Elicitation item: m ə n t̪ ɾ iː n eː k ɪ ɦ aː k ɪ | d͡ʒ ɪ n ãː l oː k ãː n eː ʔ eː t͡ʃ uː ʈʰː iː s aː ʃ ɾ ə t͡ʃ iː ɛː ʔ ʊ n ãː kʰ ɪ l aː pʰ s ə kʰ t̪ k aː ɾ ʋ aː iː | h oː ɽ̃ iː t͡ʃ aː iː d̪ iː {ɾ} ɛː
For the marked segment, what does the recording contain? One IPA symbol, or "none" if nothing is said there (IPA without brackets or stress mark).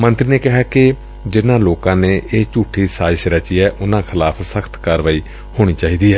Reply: none